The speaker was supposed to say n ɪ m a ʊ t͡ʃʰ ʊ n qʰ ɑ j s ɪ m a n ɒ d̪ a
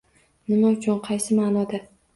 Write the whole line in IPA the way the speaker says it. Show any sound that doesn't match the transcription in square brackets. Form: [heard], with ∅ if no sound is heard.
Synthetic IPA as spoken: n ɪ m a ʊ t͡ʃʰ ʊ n qʰ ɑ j s ɪ m a n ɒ d̪ a